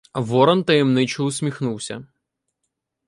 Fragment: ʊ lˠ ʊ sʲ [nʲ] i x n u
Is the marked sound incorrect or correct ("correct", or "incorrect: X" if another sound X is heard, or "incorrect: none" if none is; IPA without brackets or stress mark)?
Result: incorrect: mʲ